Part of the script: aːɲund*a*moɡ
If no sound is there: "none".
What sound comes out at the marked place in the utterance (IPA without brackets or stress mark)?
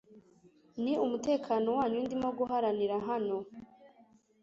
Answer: i